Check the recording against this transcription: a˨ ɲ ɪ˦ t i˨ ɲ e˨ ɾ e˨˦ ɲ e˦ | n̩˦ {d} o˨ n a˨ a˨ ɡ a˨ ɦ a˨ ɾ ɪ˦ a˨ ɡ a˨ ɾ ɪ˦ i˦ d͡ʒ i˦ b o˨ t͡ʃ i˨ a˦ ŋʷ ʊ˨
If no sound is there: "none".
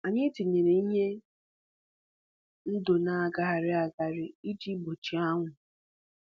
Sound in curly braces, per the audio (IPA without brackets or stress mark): d